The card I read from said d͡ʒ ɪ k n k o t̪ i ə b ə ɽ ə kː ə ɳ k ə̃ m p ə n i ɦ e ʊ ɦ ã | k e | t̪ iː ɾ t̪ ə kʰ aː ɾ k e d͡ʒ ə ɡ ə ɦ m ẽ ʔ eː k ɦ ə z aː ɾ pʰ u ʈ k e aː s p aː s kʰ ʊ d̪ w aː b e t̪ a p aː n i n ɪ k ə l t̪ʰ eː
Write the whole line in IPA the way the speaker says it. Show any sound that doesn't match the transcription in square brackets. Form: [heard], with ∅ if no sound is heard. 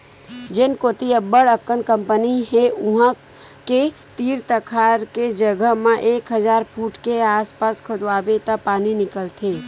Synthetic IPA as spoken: d͡ʒ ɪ [∅] n k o t̪ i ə b ə ɽ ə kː ə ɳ k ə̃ m p ə n i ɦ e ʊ ɦ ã | k e | t̪ iː ɾ t̪ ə kʰ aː ɾ k e d͡ʒ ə ɡ ə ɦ m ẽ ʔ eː k ɦ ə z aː ɾ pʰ [uː] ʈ k e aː s p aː s kʰ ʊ d̪ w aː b e t̪ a p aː n i n ɪ k ə l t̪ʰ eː